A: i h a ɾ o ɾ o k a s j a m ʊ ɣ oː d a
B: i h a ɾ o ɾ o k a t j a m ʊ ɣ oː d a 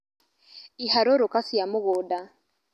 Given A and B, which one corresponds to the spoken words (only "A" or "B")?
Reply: A